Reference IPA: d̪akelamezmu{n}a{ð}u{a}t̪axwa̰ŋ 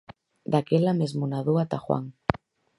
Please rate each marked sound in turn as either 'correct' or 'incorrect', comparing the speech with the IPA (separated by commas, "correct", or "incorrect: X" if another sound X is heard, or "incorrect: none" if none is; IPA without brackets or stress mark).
correct, correct, correct